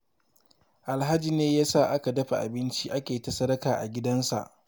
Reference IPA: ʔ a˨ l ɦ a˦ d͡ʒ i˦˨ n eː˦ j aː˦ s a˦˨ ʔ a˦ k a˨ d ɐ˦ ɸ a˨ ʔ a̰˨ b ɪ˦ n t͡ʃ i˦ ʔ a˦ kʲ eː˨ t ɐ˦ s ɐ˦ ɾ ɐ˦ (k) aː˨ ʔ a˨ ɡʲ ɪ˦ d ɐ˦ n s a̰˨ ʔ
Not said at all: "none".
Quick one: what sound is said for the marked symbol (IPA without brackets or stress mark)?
k